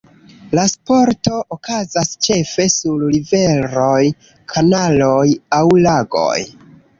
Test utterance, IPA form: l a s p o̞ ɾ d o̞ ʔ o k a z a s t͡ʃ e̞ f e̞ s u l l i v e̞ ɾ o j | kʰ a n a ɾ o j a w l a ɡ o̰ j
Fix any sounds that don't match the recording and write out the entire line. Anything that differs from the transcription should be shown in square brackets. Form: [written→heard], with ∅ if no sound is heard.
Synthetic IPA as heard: l a s p o̞ ɾ [d→t] o̞ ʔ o k a z a s t͡ʃ e̞ f e̞ s u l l i v e̞ ɾ o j | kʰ a n a [ɾ→l] o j a w l a ɡ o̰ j